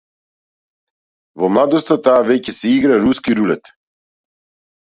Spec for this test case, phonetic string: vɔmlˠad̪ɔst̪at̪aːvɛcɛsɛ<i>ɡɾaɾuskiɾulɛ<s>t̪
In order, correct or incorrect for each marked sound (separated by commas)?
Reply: correct, incorrect